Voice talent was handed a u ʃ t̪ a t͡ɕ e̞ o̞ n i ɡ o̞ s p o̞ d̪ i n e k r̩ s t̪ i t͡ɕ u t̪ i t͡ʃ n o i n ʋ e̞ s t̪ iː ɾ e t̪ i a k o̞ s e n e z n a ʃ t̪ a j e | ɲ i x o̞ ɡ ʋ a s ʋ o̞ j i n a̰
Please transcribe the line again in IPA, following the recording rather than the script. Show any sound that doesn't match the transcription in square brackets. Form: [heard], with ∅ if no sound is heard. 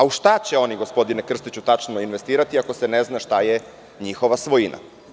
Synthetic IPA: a u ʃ t̪ a t͡ɕ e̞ o̞ n i ɡ o̞ s p o̞ d̪ i n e k r̩ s t̪ i t͡ɕ u t̪ [a] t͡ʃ n o i n ʋ e̞ s t̪ iː ɾ [a] t̪ i a k o̞ s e n e z n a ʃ t̪ a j e | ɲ i x o̞ [∅] ʋ a s ʋ o̞ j i n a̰